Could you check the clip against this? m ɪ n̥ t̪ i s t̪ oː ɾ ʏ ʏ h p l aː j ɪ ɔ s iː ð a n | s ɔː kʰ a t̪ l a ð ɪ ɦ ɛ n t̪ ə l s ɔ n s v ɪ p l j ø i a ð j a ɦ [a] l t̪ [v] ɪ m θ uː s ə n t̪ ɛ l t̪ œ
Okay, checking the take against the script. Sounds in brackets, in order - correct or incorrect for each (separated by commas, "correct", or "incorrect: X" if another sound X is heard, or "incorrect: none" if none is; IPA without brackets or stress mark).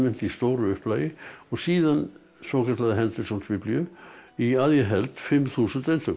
incorrect: ɛ, incorrect: f